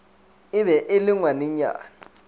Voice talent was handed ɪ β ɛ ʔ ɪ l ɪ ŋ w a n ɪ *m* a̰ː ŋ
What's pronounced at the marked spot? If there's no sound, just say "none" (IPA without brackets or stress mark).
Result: ɲ